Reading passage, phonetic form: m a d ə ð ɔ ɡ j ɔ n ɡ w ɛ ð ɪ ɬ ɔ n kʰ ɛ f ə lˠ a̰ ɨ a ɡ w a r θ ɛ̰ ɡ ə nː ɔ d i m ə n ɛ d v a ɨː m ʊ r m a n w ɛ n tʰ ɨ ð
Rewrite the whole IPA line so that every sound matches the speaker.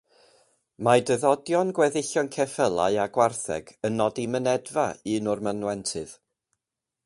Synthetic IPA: m a d ə ð ɔ d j ɔ n ɡ w ɛ ð ɪ ɬ ɔ n kʰ ɛ f ə lˠ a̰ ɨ a ɡ w a r θ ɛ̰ ɡ ə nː ɔ d i m ə n ɛ d v a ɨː n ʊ r m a n w ɛ n tʰ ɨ ð